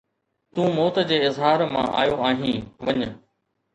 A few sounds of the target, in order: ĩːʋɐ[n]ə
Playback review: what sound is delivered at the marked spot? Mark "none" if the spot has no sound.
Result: ɲ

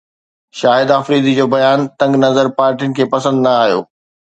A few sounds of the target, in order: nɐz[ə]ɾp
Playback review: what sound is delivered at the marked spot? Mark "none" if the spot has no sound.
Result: ə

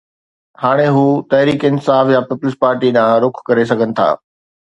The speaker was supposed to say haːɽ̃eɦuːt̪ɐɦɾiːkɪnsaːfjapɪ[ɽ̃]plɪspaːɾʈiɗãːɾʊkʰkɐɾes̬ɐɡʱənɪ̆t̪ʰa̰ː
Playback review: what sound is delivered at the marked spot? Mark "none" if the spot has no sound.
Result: none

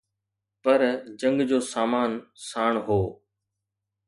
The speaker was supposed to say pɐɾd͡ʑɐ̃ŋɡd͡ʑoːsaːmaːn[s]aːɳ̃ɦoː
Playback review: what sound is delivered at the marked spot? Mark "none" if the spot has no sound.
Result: s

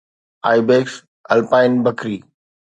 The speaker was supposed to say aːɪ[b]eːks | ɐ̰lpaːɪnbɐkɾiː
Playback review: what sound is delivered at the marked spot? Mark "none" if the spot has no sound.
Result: b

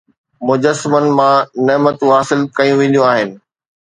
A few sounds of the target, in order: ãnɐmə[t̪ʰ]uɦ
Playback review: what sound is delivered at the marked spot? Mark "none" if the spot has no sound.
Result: t̪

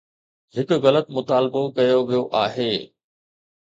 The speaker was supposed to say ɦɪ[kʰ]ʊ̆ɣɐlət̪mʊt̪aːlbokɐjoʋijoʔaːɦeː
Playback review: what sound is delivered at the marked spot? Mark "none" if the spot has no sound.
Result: k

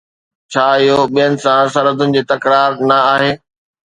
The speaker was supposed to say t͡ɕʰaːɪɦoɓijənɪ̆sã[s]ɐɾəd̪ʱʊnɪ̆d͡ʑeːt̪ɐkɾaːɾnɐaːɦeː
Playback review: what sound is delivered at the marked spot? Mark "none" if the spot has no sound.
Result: s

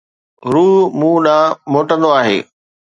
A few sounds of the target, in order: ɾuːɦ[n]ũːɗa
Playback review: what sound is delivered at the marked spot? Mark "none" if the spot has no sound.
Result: m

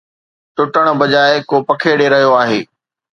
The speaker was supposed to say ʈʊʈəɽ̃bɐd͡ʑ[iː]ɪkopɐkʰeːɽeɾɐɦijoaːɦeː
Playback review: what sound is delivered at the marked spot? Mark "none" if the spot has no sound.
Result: aː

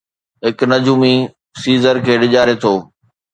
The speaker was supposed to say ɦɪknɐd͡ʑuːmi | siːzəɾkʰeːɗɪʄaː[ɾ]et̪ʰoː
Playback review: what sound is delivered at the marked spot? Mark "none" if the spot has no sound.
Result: ɾ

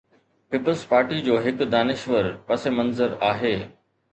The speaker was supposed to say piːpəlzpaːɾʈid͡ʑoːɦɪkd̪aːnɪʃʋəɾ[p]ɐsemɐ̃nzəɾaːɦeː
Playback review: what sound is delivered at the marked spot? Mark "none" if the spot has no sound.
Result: p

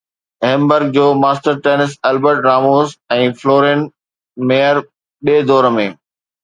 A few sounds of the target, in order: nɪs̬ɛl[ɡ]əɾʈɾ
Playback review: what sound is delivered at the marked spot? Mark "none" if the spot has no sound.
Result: b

